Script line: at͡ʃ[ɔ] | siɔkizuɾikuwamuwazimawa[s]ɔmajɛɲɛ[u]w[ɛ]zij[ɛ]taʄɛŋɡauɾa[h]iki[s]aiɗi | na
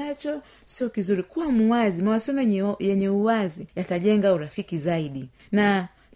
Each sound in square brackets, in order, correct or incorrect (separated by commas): correct, correct, correct, incorrect, incorrect, incorrect, incorrect